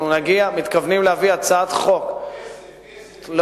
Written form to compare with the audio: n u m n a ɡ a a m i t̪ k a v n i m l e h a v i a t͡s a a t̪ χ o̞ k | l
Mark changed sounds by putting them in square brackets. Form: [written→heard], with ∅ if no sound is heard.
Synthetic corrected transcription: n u [m→∅] n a ɡ [a→i] a m i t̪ k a v n i m l e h a v i a t͡s a a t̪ χ o̞ k | l